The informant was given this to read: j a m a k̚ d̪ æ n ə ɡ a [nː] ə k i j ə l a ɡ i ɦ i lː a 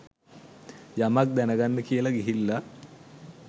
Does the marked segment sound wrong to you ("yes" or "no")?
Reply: no